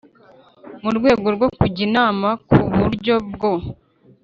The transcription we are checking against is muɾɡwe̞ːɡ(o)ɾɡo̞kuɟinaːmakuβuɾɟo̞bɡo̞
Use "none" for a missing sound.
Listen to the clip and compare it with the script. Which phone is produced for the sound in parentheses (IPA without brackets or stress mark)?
o